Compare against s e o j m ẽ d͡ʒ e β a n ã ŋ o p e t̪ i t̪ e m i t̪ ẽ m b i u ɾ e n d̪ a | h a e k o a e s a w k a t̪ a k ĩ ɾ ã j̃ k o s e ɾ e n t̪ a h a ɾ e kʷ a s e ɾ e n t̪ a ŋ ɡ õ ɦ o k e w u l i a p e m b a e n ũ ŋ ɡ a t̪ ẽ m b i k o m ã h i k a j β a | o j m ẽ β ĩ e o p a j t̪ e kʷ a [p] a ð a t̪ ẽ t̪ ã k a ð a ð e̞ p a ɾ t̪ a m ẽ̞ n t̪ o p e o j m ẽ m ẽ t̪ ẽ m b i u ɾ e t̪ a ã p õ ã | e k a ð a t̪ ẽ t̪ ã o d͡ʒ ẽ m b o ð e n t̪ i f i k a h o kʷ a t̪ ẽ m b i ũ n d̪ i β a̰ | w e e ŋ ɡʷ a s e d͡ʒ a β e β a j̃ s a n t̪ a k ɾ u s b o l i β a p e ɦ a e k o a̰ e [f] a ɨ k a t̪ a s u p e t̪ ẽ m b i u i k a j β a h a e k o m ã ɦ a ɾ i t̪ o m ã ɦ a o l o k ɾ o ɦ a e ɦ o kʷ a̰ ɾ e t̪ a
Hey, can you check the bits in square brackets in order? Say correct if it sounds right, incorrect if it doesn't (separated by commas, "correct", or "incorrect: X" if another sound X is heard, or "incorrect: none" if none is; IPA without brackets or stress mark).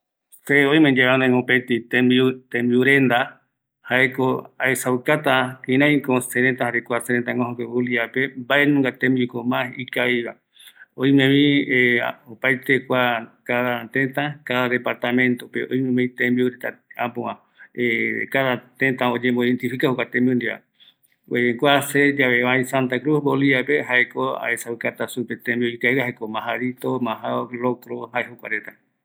incorrect: k, incorrect: s